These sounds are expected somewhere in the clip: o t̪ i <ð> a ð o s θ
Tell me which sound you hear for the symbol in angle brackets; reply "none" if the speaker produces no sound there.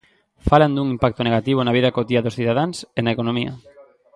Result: none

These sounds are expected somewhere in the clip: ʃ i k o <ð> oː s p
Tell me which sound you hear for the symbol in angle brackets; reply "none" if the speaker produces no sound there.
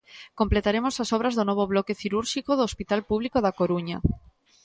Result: ð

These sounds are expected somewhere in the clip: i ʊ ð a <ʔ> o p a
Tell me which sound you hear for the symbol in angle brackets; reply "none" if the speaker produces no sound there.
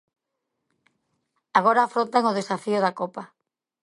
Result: k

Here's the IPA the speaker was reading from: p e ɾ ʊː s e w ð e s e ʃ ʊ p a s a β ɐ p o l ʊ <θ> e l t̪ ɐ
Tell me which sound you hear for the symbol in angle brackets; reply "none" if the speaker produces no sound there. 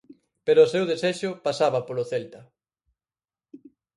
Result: θ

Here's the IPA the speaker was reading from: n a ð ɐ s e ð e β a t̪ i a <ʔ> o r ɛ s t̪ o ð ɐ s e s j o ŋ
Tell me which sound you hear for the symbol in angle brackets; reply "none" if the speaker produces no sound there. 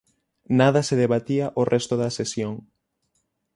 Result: ʔ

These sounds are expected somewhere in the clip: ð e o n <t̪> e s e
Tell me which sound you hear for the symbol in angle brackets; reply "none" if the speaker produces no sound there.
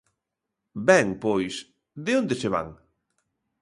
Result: d̪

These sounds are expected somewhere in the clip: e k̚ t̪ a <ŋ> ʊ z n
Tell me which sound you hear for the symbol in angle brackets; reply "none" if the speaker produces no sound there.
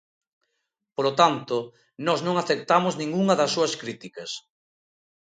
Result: m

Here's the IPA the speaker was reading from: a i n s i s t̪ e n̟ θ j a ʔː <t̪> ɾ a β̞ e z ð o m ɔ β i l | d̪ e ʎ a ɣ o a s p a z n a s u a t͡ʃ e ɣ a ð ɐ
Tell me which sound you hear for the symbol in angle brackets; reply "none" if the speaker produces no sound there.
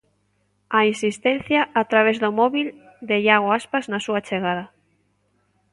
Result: t̪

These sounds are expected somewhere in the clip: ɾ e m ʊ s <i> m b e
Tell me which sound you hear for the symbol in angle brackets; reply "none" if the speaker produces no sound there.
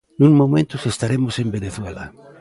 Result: e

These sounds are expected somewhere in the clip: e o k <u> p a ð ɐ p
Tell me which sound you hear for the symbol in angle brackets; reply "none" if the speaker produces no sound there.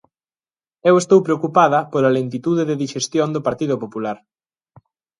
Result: u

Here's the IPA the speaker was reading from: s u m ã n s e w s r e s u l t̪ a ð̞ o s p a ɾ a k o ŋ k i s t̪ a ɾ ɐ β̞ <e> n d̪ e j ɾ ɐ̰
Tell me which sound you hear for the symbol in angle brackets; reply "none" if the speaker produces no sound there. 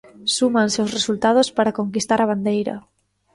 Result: a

